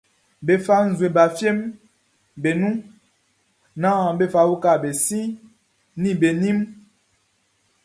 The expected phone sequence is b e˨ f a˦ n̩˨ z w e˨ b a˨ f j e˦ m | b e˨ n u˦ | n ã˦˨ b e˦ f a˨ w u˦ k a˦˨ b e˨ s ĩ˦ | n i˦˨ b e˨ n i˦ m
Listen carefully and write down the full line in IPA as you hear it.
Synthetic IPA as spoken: b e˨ f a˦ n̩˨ z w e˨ b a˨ f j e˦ m | b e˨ n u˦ | n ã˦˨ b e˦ f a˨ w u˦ k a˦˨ b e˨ s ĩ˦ | n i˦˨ b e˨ n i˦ m